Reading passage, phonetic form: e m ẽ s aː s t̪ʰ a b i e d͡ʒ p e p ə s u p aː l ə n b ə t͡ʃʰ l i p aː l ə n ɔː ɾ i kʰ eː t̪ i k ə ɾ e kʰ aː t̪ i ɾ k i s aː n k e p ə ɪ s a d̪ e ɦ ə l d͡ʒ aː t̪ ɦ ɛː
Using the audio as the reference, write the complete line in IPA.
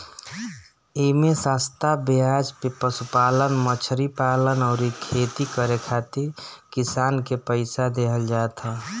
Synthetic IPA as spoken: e m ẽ s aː s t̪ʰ a b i a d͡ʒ p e p ə s u p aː l ə n m ə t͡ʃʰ ɾ i p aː l ə n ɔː ɾ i kʰ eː t̪ i k ə ɾ e kʰ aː t̪ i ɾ k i s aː n k e p ə ɪ s a d̪ e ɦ ə l d͡ʒ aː t̪ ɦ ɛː